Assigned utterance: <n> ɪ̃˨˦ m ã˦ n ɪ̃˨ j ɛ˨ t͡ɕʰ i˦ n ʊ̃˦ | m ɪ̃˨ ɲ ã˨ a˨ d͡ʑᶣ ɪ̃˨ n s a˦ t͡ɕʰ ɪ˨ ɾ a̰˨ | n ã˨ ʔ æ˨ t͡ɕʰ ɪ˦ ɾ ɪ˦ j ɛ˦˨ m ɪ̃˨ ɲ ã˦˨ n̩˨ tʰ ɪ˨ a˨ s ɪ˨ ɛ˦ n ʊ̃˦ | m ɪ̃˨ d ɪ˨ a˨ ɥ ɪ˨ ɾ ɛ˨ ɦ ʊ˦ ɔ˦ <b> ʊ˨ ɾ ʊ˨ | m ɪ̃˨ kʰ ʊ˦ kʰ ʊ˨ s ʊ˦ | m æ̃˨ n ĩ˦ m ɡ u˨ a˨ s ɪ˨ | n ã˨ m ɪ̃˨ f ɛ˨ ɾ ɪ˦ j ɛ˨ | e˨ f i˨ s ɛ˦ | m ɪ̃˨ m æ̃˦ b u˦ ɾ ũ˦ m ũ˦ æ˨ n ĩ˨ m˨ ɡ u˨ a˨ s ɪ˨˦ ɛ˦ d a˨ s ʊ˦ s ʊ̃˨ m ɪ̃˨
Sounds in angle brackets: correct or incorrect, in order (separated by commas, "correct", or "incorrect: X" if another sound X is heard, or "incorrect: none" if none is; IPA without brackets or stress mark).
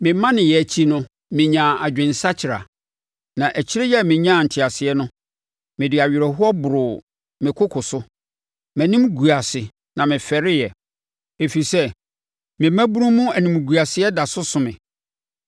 incorrect: m, correct